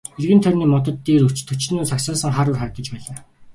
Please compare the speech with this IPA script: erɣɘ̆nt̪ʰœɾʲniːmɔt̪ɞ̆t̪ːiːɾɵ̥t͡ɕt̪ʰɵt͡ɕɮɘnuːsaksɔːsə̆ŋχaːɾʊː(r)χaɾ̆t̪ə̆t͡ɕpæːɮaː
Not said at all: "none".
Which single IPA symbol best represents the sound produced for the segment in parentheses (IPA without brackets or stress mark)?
r